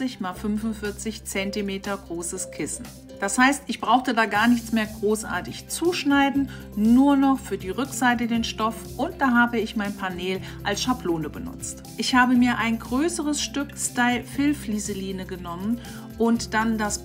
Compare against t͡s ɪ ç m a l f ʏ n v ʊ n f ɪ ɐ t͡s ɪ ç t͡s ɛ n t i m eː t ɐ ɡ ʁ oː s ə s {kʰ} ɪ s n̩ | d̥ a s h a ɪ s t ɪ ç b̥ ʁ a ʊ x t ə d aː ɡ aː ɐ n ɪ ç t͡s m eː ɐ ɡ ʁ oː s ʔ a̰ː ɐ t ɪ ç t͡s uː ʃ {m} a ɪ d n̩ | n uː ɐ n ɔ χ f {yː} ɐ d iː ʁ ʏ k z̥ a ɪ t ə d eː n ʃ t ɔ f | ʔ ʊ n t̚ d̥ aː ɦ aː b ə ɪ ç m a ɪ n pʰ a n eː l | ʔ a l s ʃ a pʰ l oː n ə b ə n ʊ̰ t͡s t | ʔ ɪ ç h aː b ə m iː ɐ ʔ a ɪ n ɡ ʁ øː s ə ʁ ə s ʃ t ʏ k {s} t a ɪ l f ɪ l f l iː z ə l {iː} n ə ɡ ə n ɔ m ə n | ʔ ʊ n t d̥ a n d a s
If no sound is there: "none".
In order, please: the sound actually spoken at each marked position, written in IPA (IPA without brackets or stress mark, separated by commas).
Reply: kʰ, n, yː, s, iː